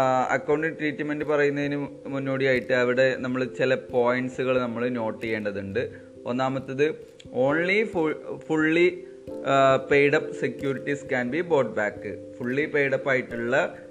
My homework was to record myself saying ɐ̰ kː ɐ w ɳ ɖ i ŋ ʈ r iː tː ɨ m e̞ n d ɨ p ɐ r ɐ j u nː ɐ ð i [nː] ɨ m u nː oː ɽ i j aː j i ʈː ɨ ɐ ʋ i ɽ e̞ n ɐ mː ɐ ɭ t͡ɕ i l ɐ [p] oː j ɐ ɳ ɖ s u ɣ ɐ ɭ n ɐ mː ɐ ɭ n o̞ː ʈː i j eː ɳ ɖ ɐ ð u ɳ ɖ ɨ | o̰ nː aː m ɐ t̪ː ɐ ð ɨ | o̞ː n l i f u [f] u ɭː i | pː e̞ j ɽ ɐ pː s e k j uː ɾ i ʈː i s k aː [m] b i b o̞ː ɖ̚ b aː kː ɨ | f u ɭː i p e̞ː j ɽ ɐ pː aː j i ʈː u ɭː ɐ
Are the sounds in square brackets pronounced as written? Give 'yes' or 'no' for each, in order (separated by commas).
no, yes, yes, no